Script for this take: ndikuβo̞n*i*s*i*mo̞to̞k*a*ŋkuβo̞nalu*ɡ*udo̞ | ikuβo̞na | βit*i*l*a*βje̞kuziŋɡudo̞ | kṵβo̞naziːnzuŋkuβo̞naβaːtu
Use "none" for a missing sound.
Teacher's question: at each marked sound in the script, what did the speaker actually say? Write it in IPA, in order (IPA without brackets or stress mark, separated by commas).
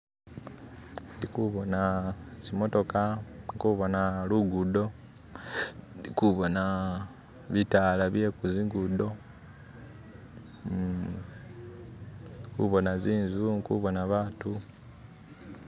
a, i, a, ɡ, a, a